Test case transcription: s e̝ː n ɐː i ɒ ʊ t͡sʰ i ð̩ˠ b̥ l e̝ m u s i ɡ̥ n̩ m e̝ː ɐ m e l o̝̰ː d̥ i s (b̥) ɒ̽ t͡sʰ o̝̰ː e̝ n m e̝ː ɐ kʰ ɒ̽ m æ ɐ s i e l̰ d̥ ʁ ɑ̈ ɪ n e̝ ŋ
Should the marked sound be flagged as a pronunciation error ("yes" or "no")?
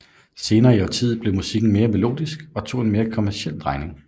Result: yes